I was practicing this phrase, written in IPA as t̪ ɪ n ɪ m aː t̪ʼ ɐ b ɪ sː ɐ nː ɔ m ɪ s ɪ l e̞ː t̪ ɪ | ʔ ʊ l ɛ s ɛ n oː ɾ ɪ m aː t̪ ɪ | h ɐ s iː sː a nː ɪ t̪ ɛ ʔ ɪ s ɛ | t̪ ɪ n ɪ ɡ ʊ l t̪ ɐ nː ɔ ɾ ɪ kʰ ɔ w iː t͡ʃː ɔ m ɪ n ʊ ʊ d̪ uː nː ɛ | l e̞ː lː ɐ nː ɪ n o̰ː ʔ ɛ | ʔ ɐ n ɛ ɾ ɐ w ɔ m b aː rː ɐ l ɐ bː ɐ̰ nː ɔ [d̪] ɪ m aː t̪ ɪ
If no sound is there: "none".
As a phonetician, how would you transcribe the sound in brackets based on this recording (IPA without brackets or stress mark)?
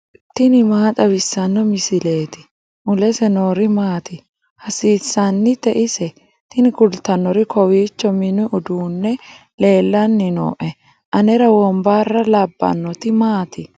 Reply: t̪